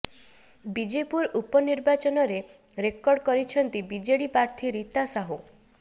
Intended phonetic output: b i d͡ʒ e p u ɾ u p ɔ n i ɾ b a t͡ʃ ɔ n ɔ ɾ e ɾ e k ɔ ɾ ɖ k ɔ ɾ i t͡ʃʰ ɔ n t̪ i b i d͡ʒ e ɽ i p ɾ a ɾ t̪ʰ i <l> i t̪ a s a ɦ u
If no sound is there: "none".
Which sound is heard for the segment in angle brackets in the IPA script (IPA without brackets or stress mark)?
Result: ɾ